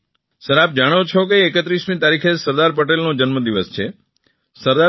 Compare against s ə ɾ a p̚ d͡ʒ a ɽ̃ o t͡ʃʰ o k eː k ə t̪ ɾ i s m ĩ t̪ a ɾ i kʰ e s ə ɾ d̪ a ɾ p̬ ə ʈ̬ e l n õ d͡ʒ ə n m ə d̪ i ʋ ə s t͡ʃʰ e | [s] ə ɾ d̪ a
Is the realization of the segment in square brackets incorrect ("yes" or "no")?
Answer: no